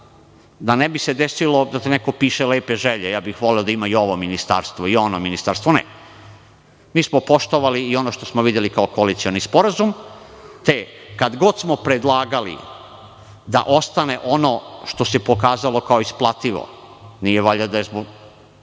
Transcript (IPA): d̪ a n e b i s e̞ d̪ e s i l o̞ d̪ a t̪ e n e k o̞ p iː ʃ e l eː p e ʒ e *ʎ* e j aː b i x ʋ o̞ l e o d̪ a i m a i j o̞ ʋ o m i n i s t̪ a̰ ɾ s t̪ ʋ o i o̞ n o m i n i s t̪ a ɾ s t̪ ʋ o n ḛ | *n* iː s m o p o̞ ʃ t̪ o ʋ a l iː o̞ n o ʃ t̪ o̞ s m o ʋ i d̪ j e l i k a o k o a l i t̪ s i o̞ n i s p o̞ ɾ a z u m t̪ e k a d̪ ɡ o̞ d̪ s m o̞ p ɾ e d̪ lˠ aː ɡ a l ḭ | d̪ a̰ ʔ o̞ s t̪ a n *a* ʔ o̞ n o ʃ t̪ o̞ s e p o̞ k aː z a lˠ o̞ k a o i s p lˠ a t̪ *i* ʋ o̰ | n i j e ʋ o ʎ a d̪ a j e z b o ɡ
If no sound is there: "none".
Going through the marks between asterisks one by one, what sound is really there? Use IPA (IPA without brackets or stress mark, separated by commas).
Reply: ʎ, m, e, i